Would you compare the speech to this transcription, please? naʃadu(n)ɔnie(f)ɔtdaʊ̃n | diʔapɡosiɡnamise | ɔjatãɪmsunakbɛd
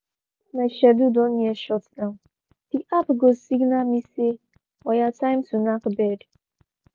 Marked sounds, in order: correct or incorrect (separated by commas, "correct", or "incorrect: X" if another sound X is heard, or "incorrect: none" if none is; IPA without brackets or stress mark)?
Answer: incorrect: d, incorrect: ʃ